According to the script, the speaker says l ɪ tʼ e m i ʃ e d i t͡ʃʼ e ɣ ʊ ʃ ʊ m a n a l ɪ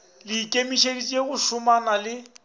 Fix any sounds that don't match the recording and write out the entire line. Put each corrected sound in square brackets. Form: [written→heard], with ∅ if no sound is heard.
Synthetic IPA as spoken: l ɪ [tʼ→kʼ] e m i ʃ e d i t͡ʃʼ e ɣ ʊ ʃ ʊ m a n a l ɪ